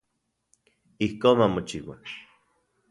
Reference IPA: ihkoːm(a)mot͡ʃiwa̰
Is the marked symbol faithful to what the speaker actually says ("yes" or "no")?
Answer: yes